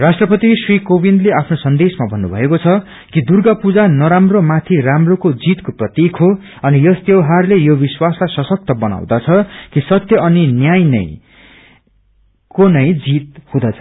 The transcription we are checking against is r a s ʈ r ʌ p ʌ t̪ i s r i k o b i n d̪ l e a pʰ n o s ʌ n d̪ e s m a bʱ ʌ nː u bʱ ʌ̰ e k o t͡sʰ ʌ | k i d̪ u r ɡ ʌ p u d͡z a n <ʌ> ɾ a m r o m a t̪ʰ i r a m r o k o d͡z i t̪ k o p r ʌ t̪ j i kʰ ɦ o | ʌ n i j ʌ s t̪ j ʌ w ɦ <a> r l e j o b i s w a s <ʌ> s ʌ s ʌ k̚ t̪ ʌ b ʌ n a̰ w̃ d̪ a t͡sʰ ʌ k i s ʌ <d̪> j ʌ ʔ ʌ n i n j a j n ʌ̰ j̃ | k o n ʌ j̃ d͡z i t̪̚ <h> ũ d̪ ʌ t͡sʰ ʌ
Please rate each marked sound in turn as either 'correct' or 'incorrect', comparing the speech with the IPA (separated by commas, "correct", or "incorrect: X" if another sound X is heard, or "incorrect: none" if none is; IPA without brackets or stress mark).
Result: correct, correct, incorrect: a, incorrect: t̪, correct